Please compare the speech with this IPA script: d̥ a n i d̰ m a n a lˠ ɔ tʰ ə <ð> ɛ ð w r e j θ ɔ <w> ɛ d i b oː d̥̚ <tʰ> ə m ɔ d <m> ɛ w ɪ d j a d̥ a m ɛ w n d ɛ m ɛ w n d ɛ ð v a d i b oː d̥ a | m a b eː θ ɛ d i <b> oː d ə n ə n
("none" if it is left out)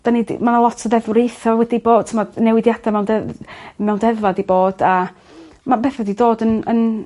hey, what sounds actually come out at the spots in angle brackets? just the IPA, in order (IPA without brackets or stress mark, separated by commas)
ð, w, tʰ, n, d